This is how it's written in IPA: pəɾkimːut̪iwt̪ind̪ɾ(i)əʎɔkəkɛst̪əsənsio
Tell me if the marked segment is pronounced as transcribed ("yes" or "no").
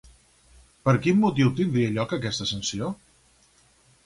yes